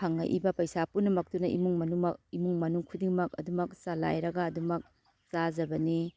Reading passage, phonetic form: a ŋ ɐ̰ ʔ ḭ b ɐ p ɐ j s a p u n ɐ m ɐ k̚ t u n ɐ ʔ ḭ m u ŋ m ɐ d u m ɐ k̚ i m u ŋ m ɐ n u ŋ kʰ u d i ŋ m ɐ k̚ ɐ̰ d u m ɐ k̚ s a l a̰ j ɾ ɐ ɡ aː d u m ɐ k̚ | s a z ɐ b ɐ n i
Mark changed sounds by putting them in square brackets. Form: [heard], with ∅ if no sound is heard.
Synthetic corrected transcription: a ŋ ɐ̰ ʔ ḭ b ɐ p ɐ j s a p u n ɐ m ɐ k̚ t u n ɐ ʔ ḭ m u ŋ m ɐ [n] u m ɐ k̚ i m u ŋ m ɐ n u ŋ kʰ u d i ŋ m ɐ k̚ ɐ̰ d u m ɐ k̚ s a l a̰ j ɾ ɐ ɡ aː d u m ɐ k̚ | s a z ɐ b ɐ n i